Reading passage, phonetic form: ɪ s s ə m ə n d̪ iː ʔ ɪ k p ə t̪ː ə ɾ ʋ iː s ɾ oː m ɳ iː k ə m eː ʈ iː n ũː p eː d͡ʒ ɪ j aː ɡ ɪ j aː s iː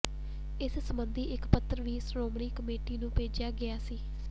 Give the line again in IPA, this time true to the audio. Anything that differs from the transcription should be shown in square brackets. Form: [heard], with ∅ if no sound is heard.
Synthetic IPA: ɪ s s ə m ə n d̪ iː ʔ ɪ k p ə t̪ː ə ɾ ʋ iː s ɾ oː m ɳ iː k ə m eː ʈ iː n ũː p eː d͡ʒ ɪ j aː ɡ ɪ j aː s iː